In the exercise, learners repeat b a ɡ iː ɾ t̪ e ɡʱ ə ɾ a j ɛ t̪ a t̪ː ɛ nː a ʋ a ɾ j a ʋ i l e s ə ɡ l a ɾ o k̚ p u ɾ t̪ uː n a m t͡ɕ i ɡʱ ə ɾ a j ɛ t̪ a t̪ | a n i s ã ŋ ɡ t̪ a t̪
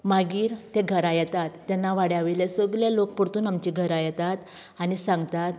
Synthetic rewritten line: m a ɡ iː ɾ t̪ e ɡʱ ə ɾ a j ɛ t̪ a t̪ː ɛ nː a ʋ a ɽ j a ʋ i l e s ə ɡ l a l o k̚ p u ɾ t̪ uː n a m t͡ɕ i ɡʱ ə ɾ a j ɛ t̪ a t̪ | a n i s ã ŋ ɡ t̪ a t̪